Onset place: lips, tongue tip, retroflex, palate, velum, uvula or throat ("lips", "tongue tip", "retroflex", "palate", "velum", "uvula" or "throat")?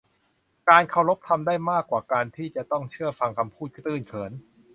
velum